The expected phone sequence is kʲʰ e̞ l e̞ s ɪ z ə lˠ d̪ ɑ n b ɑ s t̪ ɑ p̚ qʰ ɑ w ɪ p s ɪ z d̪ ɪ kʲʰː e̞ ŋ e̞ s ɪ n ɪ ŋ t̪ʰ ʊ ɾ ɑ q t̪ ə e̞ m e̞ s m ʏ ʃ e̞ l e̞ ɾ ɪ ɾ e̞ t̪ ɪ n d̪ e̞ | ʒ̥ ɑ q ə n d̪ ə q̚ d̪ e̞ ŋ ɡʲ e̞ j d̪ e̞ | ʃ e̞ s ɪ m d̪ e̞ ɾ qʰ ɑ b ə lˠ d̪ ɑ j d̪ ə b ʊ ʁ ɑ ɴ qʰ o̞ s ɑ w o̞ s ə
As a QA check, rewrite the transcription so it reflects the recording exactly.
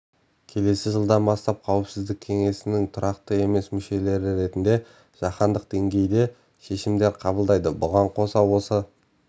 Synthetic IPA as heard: kʲʰ e̞ l e̞ s ɪ ʒ ə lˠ d̪ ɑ n b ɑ s t̪ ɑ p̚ qʰ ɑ w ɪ p s ɪ z d̪ ɪ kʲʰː e̞ ŋ e̞ s ɪ n ɪ ŋ t̪ʰ ʊ ɾ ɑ q t̪ ə e̞ m e̞ s m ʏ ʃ e̞ l e̞ ɾ ɪ ɾ e̞ t̪ ɪ n d̪ e̞ | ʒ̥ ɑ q ɑ n d̪ ə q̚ d̪ e̞ ŋ ɡʲ e̞ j d̪ e̞ | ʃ e̞ ʃ ɪ m d̪ e̞ ɾ qʰ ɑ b ə lˠ d̪ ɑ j d̪ ə b ʊ ʁ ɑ ɴ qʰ o̞ s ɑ w o̞ s ə

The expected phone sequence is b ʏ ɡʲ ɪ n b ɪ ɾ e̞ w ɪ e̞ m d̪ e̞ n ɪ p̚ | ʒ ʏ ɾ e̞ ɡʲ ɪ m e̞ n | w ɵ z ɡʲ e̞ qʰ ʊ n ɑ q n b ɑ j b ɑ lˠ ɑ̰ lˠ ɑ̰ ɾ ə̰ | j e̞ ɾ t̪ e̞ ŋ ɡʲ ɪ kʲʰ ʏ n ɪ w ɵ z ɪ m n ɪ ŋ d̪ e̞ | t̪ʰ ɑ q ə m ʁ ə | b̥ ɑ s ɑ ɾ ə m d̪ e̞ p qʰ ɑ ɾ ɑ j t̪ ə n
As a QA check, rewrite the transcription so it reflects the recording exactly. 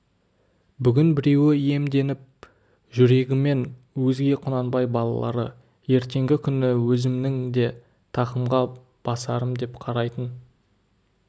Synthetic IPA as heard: b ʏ ɡʲ ɪ n b ɪ ɾ e̞ w ɪ e̞ m d̪ e̞ n ɪ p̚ | ʒ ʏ ɾ e̞ ɡʲ ɪ m e̞ n | w ɵ z ɡʲ e̞ qʰ ʊ n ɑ n b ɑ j b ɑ lˠ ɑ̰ lˠ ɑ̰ ɾ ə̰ | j e̞ ɾ t̪ e̞ ŋ ɡʲ ɪ kʲʰ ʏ n ɪ w ɵ z ɪ m n ɪ ŋ d̪ e̞ | t̪ʰ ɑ q ə m ʁ ɑ | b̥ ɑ s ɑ ɾ ə m d̪ e̞ p qʰ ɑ ɾ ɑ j t̪ ə n

